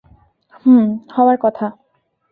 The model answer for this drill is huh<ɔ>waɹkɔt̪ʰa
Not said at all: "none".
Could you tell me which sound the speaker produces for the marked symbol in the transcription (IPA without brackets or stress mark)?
ɔ